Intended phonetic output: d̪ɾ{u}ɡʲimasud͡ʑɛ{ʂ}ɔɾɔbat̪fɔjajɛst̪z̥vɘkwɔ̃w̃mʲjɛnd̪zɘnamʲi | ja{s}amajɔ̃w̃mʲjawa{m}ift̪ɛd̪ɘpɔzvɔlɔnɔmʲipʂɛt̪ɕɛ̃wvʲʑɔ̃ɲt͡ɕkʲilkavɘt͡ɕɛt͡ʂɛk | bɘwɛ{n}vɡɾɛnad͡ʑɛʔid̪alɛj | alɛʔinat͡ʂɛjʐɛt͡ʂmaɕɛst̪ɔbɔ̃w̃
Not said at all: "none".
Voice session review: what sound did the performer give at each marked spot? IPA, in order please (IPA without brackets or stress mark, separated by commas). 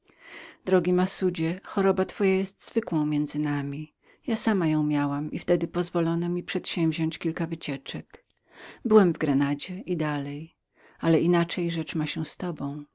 ɔ, x, s, m, m